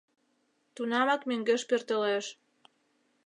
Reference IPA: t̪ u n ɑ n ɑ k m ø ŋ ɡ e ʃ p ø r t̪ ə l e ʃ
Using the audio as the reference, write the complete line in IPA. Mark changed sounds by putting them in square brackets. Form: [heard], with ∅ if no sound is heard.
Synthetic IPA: t̪ u n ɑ [m] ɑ k m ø ŋ ɡ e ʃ p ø r t̪ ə l e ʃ